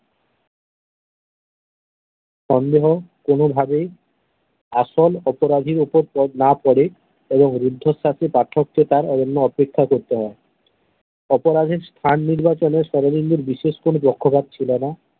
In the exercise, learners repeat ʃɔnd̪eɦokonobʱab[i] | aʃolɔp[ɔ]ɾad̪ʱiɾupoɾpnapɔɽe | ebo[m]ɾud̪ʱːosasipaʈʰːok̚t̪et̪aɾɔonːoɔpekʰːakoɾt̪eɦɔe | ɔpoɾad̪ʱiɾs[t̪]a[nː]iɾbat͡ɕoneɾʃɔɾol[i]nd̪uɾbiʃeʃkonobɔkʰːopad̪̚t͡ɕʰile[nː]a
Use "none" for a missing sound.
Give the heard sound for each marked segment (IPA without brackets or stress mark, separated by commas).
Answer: e, o, ŋ, t̪ʰ, nː, i, n